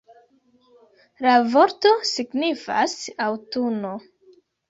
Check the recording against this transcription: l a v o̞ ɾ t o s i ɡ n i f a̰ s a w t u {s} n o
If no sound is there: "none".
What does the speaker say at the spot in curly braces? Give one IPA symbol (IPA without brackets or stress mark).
none